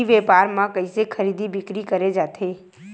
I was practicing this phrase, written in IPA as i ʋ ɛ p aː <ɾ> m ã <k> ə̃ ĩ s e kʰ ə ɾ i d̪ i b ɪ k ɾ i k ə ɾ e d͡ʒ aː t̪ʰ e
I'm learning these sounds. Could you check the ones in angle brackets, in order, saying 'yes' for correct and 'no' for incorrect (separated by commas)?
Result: yes, yes